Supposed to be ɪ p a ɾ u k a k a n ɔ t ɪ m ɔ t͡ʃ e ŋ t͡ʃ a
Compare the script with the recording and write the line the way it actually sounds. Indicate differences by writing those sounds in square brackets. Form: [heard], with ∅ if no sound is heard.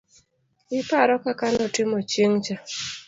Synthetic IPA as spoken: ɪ p a ɾ [ɔ] k a k a n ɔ t ɪ m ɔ t͡ʃ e ŋ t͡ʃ a